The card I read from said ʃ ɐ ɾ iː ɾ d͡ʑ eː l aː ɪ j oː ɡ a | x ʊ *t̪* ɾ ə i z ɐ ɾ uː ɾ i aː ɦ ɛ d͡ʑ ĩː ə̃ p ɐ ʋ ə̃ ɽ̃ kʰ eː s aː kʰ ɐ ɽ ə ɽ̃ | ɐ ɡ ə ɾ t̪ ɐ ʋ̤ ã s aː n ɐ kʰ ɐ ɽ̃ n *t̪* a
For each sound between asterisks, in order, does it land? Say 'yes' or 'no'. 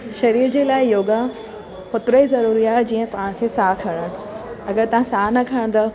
yes, no

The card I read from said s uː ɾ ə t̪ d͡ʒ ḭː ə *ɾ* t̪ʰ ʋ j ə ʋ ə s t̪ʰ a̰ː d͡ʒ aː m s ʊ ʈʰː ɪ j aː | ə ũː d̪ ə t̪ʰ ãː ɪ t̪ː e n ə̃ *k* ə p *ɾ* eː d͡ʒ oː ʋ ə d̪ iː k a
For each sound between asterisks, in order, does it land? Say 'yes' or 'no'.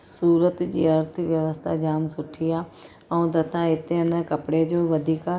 yes, yes, no

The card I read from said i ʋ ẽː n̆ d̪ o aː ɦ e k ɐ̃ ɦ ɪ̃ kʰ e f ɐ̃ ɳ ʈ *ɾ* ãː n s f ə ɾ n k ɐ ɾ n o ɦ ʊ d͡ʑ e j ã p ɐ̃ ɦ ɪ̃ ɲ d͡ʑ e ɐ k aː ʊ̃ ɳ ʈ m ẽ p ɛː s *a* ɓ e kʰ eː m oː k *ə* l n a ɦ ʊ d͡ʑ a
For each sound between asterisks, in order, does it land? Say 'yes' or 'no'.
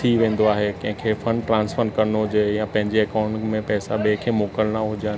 yes, yes, yes

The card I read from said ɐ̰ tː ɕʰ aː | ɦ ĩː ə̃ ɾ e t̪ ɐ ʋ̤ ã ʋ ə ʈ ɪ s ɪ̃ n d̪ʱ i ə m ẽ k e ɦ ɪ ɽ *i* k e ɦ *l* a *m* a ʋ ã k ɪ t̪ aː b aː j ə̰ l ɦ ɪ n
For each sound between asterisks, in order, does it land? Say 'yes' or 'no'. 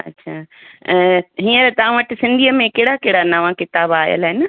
no, no, no

